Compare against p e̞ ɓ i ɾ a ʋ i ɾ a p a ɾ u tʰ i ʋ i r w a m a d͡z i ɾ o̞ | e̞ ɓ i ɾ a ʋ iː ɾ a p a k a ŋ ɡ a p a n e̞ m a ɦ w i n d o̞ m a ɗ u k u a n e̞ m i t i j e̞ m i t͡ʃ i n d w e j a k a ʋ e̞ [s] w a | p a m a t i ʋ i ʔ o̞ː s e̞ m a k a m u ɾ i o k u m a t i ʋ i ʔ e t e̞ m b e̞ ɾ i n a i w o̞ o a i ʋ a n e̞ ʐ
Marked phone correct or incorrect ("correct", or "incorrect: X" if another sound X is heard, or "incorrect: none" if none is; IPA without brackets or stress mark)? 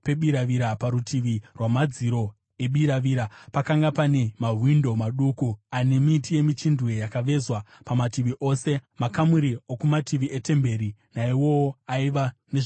incorrect: z